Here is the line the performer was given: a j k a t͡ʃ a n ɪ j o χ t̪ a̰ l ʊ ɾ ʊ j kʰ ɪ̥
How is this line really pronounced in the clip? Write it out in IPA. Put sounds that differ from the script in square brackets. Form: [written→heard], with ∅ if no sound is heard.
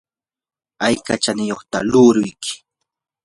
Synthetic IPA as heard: a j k a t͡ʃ a n ɪ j o χ t̪ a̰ l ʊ ɾ ʊ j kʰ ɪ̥